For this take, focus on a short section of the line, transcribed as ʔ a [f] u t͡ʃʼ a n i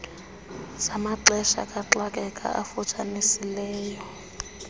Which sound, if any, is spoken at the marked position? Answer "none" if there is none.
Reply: f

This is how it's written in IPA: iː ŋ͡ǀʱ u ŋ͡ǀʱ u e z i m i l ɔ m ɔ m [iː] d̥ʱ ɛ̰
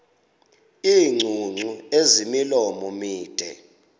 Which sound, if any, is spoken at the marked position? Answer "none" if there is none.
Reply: iː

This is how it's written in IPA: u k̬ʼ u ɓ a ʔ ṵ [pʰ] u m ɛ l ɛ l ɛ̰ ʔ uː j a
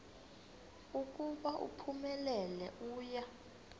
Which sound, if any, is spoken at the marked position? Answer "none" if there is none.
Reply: pʰ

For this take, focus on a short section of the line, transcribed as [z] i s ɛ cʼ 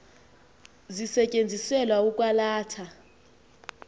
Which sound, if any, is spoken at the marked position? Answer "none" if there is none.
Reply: z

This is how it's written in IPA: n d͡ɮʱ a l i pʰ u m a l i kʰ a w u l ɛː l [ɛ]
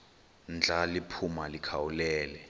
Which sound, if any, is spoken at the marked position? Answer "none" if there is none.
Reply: ɛ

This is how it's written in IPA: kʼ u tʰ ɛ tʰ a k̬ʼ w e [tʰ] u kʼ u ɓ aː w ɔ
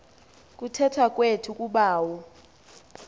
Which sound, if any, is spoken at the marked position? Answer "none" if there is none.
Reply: tʰ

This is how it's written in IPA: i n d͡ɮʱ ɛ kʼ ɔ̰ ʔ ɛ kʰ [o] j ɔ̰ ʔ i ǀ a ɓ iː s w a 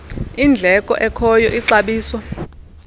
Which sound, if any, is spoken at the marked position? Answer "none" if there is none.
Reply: ɔ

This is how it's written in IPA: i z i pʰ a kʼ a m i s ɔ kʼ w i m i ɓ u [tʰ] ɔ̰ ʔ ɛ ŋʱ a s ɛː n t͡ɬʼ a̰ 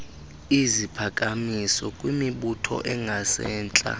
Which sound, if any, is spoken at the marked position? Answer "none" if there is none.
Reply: tʰ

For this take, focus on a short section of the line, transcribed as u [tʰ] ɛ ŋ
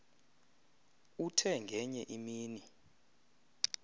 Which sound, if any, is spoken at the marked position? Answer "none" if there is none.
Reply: tʰ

